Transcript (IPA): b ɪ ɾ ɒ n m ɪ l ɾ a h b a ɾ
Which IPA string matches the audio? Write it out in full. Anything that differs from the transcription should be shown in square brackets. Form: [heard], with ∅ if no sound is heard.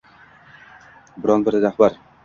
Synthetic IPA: b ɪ ɾ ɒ n [b] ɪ [ɾ] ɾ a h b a ɾ